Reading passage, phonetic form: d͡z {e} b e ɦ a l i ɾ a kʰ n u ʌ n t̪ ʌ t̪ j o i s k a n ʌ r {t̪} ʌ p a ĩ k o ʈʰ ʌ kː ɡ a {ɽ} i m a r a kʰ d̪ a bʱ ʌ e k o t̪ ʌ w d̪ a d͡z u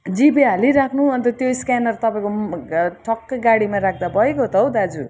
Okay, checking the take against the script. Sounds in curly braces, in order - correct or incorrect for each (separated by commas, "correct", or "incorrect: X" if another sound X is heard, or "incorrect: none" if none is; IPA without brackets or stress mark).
incorrect: i, correct, correct